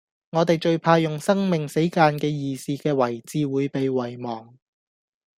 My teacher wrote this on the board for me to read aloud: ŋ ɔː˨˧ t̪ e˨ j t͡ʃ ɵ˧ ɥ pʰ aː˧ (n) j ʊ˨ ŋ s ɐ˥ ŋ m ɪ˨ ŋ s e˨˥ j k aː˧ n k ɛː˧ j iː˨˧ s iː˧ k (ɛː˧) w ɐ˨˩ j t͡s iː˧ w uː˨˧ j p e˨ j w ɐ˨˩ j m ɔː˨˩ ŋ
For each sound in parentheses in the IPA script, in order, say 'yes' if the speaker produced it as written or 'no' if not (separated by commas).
no, yes